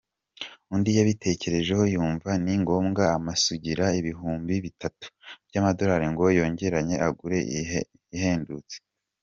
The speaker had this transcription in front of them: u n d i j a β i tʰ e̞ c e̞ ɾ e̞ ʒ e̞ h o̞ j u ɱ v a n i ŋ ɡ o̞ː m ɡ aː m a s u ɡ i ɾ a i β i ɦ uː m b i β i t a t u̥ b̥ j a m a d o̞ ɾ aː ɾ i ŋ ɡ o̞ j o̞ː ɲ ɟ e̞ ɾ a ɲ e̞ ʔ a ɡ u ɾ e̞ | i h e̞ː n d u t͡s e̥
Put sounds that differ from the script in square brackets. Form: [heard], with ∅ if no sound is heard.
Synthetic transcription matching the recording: u n d i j a β i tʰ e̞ c e̞ ɾ e̞ ʒ e̞ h o̞ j [uː] ɱ v a n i ŋ ɡ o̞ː m ɡ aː m a s u [ɟ] i ɾ a i β i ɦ uː m b i β i t a t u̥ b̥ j a m a d o̞ ɾ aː ɾ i ŋ ɡ o̞ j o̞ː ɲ ɟ e̞ ɾ a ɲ e̞ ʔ a ɡ u ɾ e̞ | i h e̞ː n d u t͡s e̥